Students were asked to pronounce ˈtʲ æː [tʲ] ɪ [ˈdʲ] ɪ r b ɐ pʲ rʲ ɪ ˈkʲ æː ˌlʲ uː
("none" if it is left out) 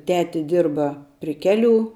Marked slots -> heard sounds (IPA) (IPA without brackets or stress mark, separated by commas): tʲ, dʲ